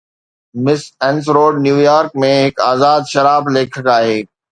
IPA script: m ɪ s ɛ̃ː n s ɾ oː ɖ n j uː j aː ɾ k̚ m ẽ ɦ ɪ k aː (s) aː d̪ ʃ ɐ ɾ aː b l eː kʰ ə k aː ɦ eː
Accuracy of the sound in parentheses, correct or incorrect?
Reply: incorrect